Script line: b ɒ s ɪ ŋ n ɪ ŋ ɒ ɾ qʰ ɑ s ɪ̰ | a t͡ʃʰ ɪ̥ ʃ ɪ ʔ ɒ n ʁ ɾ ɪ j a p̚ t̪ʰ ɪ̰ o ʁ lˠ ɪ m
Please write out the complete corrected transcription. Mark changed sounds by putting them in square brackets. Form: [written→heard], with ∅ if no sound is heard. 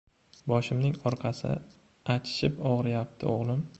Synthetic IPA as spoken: b ɒ [s→ʃ] ɪ [ŋ→m] n ɪ ŋ ɒ ɾ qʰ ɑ s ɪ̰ | a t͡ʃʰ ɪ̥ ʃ ɪ [ʔ→p] ɒ [n→∅] ʁ ɾ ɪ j a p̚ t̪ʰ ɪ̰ o ʁ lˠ ɪ m

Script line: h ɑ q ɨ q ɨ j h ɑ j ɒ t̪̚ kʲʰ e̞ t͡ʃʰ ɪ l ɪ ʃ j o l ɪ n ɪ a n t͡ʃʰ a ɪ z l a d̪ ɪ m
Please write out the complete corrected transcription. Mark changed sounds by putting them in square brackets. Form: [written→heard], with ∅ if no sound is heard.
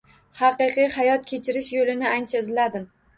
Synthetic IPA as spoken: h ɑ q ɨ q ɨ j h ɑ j ɒ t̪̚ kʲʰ e̞ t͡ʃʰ ɪ [l→ɾ] ɪ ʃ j o l ɪ n ɪ a n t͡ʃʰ a ɪ z l a d̪ ɪ m

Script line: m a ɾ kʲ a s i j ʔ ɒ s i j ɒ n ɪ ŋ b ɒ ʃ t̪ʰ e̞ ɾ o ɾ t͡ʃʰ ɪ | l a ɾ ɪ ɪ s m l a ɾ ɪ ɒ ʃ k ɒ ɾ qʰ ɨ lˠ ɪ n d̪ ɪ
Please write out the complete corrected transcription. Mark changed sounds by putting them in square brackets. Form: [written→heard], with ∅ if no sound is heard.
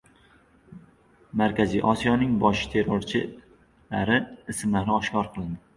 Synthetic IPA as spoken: m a ɾ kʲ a [s→z] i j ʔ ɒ s i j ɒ n ɪ ŋ b ɒ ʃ t̪ʰ e̞ ɾ o ɾ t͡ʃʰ ɪ | l a ɾ ɪ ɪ s m l a ɾ ɪ ɒ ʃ k ɒ ɾ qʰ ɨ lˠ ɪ n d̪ ɪ

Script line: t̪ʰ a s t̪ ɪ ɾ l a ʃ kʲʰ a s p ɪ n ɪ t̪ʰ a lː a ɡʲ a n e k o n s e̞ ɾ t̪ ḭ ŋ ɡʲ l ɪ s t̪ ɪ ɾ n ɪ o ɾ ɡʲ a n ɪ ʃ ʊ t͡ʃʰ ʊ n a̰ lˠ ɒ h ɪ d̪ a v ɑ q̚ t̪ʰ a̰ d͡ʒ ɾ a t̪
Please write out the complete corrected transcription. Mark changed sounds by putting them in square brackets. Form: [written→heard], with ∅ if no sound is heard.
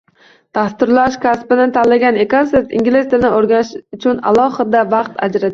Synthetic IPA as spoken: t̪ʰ a s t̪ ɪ ɾ l a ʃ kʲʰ a s p ɪ n ɪ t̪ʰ a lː a ɡʲ a n e k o n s e̞ ɾ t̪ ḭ ŋ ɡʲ l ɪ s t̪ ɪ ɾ n ɪ o ɾ ɡʲ a n ɪ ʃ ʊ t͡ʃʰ ʊ n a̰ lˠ ɒ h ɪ d̪ a v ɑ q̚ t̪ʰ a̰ d͡ʒ ɾ a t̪

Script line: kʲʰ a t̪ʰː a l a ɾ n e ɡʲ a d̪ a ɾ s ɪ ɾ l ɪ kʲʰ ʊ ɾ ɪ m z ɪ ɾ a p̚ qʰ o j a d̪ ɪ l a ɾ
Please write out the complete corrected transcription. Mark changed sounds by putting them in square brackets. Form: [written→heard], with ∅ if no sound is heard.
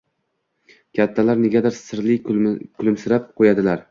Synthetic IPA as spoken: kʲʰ a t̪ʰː a l a ɾ n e ɡʲ a d̪ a ɾ s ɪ ɾ l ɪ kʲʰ ʊ [ɾ→l] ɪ m [z→s] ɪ ɾ a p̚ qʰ o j a d̪ ɪ l a ɾ

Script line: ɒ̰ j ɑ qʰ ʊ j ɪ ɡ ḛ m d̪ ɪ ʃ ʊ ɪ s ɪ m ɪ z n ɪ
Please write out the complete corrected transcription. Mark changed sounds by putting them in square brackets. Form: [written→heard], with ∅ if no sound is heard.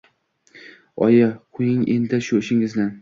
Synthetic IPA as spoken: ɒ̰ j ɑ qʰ ʊ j ɪ [ɡ→ŋ] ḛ [m→n] d̪ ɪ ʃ ʊ ɪ [s→ʃ] ɪ [m→ŋ] ɪ z n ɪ

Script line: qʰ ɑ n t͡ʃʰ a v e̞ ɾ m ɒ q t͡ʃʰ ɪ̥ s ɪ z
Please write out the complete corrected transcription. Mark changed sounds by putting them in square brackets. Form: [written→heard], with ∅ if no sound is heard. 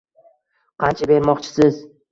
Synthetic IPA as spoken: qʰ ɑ n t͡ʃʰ a [v→b] e̞ ɾ m ɒ q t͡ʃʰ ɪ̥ s ɪ z

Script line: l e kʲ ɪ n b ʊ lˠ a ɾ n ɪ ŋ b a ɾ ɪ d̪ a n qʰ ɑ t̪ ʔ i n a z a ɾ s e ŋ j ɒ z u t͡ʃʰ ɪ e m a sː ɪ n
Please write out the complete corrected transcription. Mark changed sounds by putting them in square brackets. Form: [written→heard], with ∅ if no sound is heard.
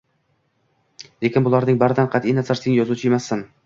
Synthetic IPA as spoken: l e kʲ ɪ n b ʊ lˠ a ɾ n ɪ ŋ b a ɾ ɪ d̪ a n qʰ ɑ t̪ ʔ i n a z a ɾ s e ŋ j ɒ z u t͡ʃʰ ɪ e m a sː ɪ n

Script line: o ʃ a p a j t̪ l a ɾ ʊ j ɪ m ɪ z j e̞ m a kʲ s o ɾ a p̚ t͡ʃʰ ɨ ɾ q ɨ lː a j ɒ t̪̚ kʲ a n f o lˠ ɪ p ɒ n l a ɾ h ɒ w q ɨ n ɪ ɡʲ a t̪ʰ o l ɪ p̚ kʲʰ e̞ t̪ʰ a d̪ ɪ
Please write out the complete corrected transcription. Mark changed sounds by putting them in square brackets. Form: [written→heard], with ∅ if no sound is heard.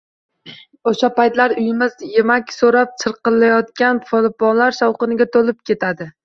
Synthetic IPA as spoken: o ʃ a p a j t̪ l a ɾ ʊ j ɪ m ɪ z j e̞ m a kʲ s o ɾ a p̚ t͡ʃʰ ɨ ɾ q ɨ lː a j ɒ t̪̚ kʲ a n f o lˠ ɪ p ɒ n l a ɾ [h→ʃ] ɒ w q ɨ n ɪ ɡʲ a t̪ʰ o l ɪ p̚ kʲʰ e̞ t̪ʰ a d̪ ɪ

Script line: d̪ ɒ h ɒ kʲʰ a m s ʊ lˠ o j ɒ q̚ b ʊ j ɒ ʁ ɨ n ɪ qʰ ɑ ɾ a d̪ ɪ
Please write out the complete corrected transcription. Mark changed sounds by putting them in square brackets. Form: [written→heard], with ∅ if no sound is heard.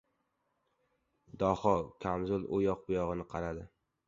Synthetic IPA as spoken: d̪ ɒ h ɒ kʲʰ a m [s→z] ʊ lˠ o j ɒ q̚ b ʊ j ɒ ʁ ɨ n ɪ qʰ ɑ ɾ a d̪ ɪ

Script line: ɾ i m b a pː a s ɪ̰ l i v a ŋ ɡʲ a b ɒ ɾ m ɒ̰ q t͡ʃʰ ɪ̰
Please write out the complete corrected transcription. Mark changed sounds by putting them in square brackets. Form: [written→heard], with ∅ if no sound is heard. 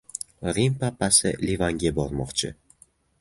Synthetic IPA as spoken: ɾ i m [b→p] a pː a s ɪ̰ l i v a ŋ ɡʲ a b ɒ ɾ m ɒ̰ q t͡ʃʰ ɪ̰

